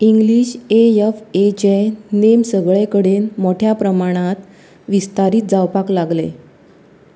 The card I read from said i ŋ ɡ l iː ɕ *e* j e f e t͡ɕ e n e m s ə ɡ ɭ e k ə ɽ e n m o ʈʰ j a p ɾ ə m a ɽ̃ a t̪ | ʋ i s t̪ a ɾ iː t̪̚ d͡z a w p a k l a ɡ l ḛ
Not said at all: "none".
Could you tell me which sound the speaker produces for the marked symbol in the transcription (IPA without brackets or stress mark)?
e